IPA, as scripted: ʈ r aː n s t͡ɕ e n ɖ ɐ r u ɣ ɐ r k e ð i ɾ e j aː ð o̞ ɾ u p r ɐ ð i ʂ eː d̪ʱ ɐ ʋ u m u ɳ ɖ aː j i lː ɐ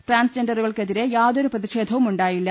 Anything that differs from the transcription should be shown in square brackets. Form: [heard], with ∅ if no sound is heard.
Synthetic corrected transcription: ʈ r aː n s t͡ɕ e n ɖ ɐ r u ɣ ɐ [ɭ] k e ð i ɾ e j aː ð o̞ ɾ u p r ɐ ð i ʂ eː d̪ʱ ɐ ʋ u m u ɳ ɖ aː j i lː ɐ